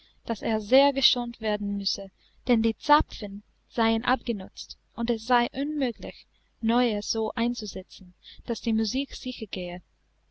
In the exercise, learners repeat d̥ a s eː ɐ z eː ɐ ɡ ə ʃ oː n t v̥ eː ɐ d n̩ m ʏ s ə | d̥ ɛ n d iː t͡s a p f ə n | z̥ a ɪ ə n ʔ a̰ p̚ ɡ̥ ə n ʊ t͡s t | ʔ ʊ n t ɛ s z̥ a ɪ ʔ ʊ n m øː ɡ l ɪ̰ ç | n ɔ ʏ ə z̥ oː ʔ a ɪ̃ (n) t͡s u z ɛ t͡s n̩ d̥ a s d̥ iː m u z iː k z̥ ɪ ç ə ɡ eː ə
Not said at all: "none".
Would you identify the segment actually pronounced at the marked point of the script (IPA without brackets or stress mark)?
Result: n